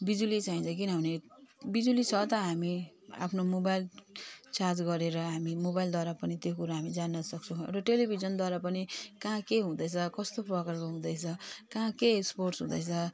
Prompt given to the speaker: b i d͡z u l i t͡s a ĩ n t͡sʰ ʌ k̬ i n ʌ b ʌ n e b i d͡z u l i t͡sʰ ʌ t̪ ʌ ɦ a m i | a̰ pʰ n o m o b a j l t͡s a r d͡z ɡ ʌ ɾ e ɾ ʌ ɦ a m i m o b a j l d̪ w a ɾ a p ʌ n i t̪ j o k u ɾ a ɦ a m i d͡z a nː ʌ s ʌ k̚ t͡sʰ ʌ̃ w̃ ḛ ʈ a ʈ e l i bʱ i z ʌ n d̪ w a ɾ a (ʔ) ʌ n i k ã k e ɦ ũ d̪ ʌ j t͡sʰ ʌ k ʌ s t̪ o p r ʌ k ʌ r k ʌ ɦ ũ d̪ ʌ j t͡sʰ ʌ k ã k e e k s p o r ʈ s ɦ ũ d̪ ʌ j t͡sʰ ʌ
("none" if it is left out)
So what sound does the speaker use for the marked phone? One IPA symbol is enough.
p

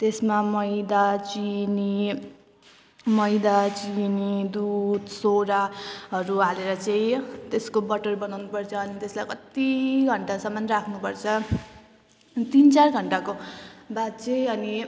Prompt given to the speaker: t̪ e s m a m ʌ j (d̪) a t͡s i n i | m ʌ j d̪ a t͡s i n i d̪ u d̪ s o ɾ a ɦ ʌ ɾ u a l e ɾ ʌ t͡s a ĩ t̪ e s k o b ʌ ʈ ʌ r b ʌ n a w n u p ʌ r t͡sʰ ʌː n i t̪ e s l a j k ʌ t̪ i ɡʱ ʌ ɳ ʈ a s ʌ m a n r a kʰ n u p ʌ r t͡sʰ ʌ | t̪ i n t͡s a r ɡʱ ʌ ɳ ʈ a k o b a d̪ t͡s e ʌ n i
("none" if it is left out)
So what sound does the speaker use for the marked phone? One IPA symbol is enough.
d̪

